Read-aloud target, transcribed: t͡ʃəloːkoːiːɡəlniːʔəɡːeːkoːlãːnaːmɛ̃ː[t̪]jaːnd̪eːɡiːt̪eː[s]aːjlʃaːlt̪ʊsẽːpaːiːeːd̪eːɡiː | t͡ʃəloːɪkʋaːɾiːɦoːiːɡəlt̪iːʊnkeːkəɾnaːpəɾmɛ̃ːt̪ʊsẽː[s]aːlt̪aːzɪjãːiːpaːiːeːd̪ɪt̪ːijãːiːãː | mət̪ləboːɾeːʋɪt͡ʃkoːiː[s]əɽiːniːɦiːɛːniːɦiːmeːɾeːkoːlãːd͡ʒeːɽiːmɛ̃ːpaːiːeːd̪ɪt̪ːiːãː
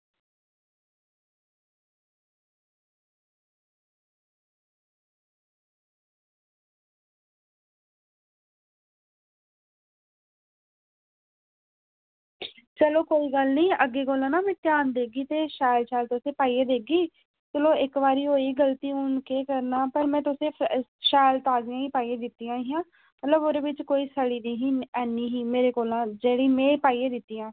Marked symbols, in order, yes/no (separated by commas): yes, no, no, yes